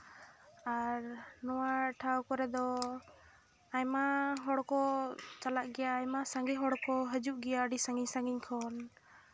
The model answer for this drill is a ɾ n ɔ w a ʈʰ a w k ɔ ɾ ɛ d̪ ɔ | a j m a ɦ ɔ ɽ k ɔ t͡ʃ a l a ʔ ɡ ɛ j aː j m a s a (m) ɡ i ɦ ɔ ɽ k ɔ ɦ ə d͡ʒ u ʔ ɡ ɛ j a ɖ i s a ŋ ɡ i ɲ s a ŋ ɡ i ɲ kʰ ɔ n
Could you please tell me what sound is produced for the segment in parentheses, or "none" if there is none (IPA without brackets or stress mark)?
ŋ